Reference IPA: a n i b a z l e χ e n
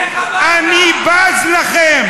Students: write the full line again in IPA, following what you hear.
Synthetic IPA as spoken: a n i b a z l a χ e m